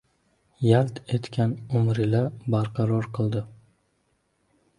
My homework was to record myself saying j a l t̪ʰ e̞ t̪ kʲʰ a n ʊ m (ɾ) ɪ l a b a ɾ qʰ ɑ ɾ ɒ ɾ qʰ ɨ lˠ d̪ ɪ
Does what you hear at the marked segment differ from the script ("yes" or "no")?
no